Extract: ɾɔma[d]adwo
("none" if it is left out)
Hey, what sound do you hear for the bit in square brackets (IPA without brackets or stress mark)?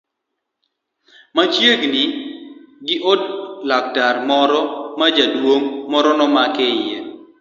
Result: d͡ʒ